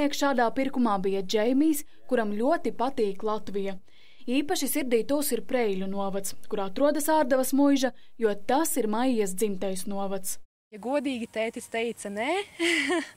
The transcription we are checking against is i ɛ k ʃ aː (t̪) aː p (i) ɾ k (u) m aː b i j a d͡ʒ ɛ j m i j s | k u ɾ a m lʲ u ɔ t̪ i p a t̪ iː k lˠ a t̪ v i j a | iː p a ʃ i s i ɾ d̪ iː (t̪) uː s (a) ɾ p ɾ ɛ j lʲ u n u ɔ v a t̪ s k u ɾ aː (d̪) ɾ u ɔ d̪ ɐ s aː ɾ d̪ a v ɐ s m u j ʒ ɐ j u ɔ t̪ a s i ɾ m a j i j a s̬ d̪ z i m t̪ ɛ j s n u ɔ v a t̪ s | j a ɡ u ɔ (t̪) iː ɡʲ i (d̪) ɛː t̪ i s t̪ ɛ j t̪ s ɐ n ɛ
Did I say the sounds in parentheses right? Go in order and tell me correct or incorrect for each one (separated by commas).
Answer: incorrect, correct, correct, correct, incorrect, incorrect, incorrect, incorrect